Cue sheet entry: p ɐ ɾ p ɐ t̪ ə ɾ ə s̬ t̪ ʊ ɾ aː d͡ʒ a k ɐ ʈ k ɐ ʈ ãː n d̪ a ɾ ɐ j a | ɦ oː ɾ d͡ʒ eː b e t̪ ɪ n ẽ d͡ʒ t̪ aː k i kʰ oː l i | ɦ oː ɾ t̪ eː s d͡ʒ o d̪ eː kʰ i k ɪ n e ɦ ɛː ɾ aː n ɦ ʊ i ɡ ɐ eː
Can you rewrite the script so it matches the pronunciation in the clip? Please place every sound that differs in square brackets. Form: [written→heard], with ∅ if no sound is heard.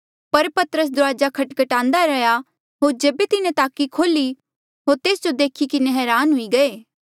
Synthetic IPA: p ɐ ɾ p ɐ t̪ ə ɾ ə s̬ [t̪→d̪] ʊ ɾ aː d͡ʒ a [k→kʰ] ɐ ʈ k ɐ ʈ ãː n d̪ a ɾ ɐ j a | ɦ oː ɾ d͡ʒ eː b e t̪ ɪ n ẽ [d͡ʒ→∅] t̪ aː k i kʰ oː l i | ɦ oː ɾ t̪ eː s d͡ʒ o d̪ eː kʰ i k ɪ n e ɦ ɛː ɾ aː n ɦ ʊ i ɡ ɐ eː